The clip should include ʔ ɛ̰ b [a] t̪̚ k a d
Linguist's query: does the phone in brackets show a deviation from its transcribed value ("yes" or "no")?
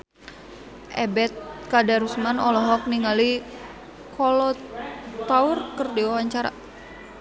yes